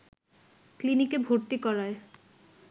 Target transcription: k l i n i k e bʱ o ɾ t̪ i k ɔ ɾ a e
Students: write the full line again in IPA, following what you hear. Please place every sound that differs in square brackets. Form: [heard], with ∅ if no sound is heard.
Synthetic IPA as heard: k l i n i k e bʱ o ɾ t̪ i k ɔ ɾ a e